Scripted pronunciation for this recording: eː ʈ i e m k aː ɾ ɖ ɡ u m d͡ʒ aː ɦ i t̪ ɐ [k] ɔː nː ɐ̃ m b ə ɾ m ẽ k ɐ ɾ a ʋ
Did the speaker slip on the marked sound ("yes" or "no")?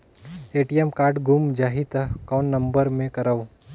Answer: no